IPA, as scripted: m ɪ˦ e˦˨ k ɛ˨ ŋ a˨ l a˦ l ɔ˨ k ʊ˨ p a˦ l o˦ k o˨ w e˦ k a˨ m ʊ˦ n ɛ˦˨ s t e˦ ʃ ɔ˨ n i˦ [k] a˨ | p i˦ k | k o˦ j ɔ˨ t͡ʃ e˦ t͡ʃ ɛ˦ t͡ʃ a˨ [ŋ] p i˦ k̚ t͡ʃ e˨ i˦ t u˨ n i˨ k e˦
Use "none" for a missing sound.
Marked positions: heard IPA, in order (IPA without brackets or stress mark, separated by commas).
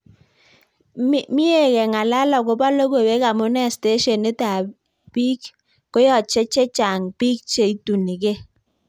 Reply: t, ŋ